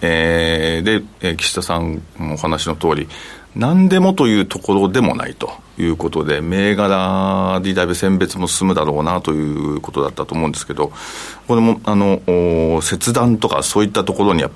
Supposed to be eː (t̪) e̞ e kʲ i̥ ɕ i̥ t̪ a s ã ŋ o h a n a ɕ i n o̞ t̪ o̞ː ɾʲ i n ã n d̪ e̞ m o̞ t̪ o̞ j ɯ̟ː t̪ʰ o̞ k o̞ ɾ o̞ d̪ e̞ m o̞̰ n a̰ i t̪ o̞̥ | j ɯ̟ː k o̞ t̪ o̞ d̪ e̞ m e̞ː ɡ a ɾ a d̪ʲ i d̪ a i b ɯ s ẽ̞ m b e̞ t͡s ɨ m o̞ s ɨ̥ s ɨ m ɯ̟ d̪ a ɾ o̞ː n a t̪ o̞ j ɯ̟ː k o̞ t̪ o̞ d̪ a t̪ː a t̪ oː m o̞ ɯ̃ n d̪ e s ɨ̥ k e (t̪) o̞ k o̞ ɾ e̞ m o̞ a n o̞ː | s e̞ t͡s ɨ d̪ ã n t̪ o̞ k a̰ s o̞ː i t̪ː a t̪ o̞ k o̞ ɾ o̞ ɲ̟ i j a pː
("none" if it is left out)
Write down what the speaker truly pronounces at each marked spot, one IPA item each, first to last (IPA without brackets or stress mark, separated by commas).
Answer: d̪, d̪